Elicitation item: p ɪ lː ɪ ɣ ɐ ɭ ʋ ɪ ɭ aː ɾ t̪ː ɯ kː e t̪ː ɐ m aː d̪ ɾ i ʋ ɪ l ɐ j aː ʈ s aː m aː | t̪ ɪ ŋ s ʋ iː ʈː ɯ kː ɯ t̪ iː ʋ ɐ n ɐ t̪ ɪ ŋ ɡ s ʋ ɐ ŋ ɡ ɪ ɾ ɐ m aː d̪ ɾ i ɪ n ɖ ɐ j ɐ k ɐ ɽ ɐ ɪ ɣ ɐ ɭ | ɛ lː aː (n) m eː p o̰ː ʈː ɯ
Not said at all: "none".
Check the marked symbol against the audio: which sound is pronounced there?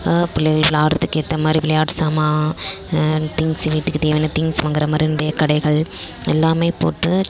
none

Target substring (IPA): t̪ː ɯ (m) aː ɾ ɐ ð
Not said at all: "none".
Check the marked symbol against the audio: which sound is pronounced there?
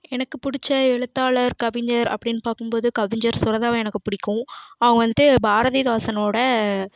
b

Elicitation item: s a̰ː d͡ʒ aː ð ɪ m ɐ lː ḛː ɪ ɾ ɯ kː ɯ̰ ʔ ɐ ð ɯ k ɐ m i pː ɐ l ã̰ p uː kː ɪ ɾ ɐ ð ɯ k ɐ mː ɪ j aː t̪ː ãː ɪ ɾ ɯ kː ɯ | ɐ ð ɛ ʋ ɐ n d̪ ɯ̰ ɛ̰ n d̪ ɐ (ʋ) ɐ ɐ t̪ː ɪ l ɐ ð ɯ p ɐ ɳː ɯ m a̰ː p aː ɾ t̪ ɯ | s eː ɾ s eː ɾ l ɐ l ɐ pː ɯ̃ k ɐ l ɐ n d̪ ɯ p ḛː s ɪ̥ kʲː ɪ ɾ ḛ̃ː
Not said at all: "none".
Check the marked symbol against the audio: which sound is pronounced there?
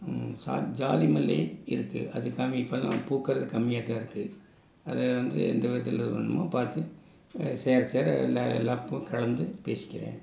ʋ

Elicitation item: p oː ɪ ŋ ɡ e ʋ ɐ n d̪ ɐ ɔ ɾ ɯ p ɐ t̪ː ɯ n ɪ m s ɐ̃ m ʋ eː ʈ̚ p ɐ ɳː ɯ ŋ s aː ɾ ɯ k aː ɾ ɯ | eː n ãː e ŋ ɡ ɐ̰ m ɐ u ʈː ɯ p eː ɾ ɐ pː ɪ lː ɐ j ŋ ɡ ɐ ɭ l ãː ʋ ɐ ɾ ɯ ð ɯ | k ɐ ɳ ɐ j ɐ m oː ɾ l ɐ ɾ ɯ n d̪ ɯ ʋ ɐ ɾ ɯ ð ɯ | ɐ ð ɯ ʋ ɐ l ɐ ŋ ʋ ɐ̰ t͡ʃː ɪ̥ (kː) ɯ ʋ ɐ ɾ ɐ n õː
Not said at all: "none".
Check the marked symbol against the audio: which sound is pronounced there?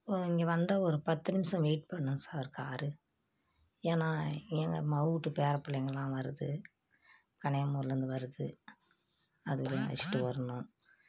ʈː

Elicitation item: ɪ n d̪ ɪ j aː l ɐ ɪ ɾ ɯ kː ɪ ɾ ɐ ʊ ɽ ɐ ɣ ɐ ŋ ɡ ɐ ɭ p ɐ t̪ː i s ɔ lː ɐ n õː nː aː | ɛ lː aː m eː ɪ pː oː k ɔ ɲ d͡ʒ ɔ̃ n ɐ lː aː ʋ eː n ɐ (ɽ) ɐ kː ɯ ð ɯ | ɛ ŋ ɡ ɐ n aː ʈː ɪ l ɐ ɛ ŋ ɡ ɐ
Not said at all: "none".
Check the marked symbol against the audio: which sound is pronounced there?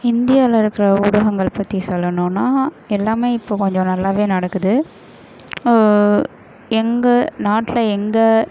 ɽ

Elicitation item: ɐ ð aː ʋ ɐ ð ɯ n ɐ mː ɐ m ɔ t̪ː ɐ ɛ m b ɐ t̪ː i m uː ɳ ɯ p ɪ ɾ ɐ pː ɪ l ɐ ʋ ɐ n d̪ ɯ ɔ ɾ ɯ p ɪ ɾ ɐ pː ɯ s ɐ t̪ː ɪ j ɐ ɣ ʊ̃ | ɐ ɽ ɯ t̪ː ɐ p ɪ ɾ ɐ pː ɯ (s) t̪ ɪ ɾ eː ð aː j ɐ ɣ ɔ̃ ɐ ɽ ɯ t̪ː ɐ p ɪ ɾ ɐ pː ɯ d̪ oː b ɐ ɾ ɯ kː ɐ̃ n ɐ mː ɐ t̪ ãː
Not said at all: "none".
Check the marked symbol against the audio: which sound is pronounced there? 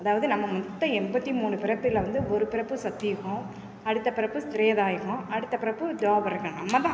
s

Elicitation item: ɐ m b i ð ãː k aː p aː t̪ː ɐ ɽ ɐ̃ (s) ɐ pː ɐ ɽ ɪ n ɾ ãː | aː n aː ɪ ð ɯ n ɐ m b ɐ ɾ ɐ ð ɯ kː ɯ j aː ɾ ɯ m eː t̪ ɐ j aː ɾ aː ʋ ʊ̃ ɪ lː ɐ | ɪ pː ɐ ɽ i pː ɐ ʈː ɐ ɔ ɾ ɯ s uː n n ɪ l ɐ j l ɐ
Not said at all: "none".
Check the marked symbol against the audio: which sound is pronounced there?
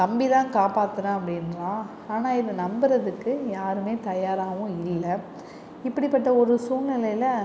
none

